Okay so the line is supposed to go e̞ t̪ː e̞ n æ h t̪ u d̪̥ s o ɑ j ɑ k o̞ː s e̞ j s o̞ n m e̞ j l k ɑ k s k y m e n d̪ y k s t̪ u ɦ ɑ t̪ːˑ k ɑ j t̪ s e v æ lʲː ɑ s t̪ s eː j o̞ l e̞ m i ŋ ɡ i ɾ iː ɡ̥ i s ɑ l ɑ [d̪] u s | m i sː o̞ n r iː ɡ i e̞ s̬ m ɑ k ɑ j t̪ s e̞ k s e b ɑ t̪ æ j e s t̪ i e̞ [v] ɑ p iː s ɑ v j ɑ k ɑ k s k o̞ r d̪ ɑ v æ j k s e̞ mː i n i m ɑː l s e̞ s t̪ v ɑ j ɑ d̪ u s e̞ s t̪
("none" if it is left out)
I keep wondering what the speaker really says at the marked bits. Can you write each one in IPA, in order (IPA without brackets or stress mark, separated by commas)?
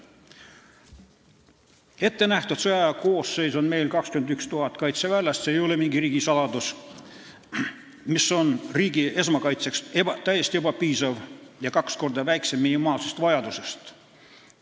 d̪, b